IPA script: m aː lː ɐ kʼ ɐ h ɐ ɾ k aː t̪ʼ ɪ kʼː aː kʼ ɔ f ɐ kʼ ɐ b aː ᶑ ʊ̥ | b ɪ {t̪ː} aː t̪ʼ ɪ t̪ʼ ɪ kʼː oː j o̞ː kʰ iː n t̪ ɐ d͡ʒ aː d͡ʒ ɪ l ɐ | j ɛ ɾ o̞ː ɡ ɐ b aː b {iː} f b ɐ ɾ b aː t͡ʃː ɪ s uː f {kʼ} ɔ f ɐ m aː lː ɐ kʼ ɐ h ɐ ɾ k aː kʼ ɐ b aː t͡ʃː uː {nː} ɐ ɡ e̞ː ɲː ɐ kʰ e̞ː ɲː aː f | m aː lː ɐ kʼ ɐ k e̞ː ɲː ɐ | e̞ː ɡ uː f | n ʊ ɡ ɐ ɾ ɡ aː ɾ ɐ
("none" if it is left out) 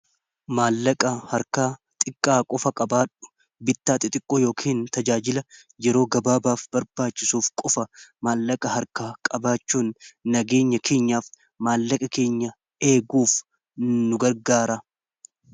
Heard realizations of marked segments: t̪ː, aː, kʼ, nː

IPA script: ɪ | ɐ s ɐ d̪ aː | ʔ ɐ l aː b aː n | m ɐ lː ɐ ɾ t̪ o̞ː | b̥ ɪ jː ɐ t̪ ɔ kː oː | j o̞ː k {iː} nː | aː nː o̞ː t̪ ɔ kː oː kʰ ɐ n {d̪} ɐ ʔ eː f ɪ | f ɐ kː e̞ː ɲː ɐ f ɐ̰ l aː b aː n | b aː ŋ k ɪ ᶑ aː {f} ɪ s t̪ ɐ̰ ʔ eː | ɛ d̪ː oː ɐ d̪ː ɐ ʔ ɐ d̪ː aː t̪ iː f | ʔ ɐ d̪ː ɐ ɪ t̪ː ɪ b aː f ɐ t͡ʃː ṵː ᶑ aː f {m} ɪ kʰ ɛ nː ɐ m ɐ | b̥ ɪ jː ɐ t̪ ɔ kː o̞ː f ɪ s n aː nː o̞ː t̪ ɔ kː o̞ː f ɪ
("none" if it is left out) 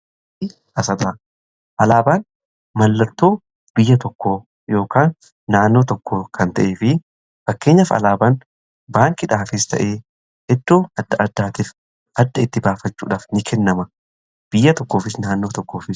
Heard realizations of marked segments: aː, t̪, f, n

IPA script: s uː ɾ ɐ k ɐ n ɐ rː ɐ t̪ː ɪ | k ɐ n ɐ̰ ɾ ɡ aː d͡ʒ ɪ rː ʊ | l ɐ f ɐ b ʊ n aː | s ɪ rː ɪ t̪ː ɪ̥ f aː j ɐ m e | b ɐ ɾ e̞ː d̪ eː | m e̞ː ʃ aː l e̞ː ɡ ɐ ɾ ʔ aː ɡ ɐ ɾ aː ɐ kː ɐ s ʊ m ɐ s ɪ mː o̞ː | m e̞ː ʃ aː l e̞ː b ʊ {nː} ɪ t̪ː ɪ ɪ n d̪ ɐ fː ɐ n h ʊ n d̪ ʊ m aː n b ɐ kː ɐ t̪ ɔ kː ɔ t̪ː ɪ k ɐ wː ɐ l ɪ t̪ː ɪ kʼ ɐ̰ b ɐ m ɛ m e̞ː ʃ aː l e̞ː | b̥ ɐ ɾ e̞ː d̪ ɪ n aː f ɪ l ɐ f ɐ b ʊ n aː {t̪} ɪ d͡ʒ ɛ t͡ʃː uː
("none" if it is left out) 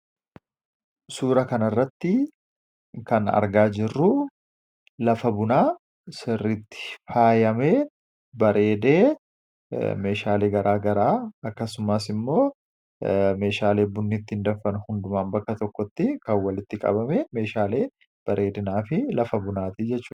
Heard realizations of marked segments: nː, t̪

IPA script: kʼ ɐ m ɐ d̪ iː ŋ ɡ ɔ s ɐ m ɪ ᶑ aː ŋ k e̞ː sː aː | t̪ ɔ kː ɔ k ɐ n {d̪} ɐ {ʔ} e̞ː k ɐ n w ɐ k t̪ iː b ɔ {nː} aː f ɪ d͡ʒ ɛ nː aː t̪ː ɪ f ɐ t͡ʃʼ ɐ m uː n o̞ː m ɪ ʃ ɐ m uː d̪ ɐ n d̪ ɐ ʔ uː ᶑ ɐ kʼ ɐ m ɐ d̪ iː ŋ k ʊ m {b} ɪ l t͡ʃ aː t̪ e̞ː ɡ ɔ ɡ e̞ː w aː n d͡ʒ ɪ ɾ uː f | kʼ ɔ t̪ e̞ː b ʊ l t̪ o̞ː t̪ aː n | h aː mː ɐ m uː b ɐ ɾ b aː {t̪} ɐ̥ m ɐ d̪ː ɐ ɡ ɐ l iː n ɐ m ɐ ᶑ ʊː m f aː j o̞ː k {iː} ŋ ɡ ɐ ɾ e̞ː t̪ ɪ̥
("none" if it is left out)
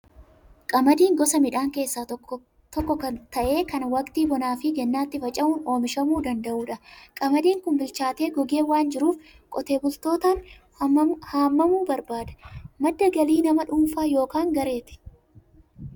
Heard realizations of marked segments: t̪, ʔ, n, b, d̪, aː

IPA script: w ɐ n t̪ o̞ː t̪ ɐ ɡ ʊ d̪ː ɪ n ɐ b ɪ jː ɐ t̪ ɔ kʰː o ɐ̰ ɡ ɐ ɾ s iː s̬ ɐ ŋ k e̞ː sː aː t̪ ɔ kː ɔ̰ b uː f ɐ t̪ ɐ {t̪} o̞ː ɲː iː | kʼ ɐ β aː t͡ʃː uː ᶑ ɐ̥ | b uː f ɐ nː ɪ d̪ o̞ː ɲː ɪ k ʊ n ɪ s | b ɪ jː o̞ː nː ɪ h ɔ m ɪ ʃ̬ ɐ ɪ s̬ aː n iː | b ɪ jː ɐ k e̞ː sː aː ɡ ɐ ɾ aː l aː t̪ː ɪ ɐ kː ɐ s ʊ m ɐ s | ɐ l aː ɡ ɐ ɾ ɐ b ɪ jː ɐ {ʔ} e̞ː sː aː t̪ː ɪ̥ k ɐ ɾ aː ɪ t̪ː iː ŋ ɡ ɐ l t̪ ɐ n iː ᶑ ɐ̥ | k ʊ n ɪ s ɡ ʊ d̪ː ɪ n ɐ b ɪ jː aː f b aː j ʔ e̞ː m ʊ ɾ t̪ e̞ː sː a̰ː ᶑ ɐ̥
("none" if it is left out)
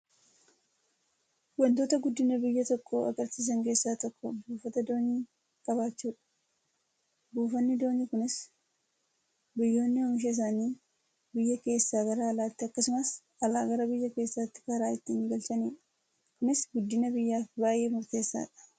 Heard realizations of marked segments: d̪, k

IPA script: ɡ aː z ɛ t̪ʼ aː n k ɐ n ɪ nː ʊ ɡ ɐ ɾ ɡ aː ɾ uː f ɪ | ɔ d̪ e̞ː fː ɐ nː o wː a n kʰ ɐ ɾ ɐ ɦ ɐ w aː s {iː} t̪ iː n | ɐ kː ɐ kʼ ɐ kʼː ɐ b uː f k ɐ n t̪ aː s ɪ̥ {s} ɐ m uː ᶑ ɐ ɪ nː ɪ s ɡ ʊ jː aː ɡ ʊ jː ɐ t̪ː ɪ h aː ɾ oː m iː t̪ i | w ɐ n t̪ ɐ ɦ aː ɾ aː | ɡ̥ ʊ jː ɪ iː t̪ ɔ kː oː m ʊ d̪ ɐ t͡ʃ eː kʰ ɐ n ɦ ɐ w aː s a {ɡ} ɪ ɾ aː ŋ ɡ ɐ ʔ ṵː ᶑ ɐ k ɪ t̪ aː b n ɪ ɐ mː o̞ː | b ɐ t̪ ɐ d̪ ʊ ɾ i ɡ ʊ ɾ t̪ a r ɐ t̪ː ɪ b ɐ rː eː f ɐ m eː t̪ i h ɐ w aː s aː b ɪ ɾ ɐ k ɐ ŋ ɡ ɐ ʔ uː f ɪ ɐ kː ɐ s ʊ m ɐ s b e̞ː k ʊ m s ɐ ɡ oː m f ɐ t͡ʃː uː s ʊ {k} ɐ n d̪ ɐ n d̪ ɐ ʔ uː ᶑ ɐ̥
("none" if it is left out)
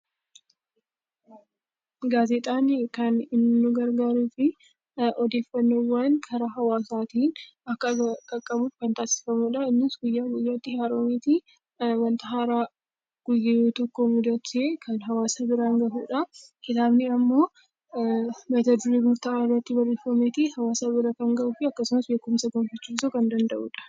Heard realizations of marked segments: aː, f, b, k

